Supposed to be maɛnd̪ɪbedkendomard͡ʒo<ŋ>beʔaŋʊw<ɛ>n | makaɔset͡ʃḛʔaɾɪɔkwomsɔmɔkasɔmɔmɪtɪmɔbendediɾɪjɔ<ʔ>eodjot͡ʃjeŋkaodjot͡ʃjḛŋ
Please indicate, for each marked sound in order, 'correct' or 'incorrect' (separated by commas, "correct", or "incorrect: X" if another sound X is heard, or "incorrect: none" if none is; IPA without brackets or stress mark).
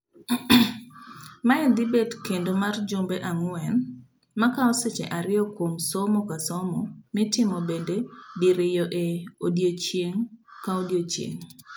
incorrect: m, correct, correct